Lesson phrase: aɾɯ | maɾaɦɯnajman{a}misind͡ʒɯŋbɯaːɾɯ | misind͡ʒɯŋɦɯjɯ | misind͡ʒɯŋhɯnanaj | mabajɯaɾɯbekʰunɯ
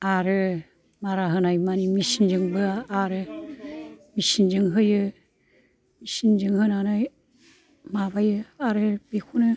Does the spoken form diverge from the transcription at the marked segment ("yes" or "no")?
yes